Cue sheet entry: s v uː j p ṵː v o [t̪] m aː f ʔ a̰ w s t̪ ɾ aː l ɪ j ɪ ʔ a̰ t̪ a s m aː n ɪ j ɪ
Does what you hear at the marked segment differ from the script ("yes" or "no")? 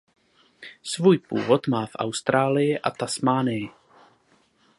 no